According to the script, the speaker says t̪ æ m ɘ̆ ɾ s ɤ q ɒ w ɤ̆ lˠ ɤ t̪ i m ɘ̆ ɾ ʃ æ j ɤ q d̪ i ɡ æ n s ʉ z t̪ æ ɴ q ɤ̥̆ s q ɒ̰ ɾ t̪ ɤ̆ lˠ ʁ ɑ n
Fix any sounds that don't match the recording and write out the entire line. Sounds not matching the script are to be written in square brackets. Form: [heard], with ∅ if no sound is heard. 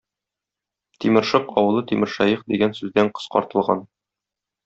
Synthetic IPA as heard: t̪ [i] m ɘ̆ ɾ [ʃ] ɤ q ɒ w ɤ̆ lˠ ɤ t̪ i m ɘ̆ ɾ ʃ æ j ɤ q d̪ i ɡ æ n s ʉ z [d̪] æ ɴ q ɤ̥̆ s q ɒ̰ ɾ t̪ ɤ̆ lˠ ʁ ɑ n